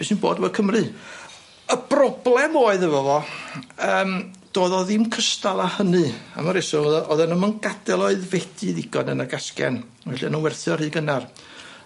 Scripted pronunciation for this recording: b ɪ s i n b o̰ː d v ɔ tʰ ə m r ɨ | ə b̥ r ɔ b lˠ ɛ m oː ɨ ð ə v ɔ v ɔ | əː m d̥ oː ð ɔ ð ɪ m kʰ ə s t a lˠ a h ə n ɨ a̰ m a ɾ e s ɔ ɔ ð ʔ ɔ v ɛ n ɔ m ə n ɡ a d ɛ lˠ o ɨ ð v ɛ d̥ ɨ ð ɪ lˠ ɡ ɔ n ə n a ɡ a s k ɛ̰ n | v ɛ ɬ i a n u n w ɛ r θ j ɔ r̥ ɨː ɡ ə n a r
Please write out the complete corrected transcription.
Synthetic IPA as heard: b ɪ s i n b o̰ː d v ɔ kʰ ə m r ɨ | ə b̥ r ɔ b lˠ ɛ m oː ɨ ð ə v ɔ v ɔ | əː m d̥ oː ð ɔ ð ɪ m kʰ ə s t a lˠ a h ə n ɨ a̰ m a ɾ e s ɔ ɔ ð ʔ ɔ ð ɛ n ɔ m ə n ɡ a d ɛ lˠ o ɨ ð v ɛ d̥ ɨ ð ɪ ɡ ɔ n ə n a ɡ a s k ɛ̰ n | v ɛ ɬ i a n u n w ɛ r θ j ɔ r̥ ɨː ɡ ə n a r

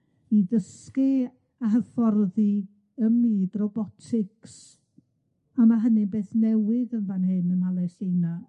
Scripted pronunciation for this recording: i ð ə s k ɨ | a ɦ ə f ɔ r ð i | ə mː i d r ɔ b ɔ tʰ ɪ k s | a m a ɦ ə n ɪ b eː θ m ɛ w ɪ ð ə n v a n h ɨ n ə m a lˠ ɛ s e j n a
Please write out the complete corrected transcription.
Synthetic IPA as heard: i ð ə s k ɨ | a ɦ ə f ɔ r ð i | ə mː iː d r ɔ b ɔ tʰ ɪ k s | a m a ɦ ə n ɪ b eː θ n ɛ w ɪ ð ə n v a n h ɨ n ə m a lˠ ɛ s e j n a

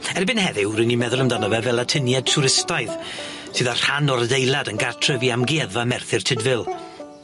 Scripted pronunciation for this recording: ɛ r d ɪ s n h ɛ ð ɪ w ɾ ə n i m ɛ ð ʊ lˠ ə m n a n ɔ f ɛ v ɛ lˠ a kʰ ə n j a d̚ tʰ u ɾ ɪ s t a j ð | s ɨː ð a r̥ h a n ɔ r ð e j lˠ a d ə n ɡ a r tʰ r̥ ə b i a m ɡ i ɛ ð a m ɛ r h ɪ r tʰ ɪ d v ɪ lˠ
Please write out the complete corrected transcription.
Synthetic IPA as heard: ɛ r b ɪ n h ɛ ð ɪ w ɾ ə n i m ɛ ð ʊ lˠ ə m d a n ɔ v ɛ v ɛ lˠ a tʰ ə n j a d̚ tʰ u ɾ ɪ s t a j ð | s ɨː ð a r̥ h a n ɔ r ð e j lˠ a d ə n ɡ a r tʰ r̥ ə v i a m ɡ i ɛ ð a m ɛ r θ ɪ r tʰ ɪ d v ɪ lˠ

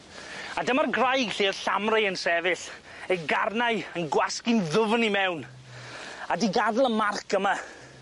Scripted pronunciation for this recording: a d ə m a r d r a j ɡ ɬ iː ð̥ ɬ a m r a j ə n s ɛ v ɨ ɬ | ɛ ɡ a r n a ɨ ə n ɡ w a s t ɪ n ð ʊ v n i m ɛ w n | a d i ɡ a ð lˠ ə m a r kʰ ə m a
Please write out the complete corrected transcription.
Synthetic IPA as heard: a d ə m a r ɡ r a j ɡ ɬ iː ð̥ ɬ a m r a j ə n s ɛ v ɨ ɬ | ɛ ɡ a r n a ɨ ə n ɡ w a s k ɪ n ð ʊ v n i m ɛ w n | a d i ɡ a ð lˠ ə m a r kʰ ə m a

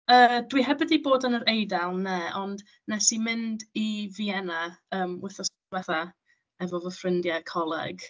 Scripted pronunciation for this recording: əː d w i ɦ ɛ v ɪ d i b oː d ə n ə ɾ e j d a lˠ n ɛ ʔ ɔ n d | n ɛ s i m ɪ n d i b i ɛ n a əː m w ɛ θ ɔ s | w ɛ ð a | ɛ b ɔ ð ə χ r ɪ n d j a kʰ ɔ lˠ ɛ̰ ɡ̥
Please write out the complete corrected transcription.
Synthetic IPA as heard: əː d w i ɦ ɛ b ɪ d i b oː d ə n ə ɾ e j d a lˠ n ɛ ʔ ɔ n d | n ɛ s i m ɪ n d i v i ɛ n a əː m w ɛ θ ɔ s | w ɛ θ a | ɛ v ɔ v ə f r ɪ n d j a kʰ ɔ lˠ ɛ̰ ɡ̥

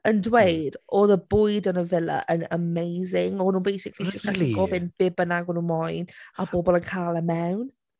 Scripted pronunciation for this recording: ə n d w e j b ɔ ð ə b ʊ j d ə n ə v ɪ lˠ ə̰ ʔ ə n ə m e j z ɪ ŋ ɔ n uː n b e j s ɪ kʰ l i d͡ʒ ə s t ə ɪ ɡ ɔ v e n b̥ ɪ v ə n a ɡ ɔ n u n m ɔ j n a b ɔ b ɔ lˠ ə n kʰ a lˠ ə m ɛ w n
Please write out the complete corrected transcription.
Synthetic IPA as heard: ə n d w e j d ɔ ð ə b ʊ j d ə n ə v ɪ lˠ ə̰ ʔ ə n ə m e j z ɪ ŋ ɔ n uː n b e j s ɪ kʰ l i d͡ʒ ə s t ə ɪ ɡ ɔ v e n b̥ ɪ b ə n a ɡ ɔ n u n m ɔ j n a b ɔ b ɔ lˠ ə n kʰ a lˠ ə m ɛ w n

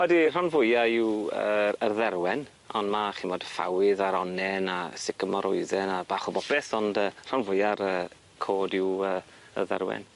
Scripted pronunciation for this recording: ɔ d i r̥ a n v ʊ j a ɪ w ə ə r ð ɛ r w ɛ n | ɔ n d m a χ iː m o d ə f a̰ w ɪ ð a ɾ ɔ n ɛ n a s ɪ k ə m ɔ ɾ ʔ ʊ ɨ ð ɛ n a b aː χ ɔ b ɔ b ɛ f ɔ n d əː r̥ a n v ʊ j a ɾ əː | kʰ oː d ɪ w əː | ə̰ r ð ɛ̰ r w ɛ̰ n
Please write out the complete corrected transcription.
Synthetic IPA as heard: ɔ d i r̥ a n v ʊ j a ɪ w ə ə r ð ɛ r w ɛ n | ɔ n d m a χ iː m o d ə f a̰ w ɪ ð a ɾ ɔ n ɛ n a s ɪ k ə m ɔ ɾ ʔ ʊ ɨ ð ɛ n a b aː χ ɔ b ɔ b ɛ θ ɔ n d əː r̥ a n v ʊ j a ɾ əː | kʰ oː d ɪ w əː | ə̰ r ð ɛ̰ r w ɛ̰ n

